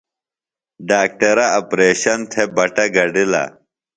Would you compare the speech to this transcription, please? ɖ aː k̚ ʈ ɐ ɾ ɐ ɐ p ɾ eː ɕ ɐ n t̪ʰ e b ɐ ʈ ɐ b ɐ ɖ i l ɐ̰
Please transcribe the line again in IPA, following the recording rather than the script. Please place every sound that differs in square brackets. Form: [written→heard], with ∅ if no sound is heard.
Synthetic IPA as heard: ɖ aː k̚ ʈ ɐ ɾ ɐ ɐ p ɾ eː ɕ ɐ n t̪ʰ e b ɐ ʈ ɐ [b→ɡ] ɐ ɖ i l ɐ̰